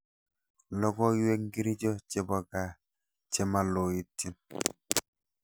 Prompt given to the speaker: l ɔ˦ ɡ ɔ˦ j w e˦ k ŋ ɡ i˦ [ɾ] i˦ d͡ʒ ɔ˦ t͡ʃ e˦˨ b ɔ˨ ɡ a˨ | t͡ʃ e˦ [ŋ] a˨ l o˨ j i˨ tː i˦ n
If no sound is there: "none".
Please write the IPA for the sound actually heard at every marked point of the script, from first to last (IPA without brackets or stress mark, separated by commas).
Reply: ɾ, m